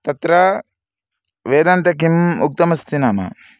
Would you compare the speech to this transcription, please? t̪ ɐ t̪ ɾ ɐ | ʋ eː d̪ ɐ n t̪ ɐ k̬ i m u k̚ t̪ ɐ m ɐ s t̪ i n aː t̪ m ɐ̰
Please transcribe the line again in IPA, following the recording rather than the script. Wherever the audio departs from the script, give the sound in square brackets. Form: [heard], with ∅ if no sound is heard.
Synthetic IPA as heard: t̪ ɐ t̪ ɾ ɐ | ʋ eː d̪ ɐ n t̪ ɐ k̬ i m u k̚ t̪ ɐ m ɐ s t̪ i n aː [∅] m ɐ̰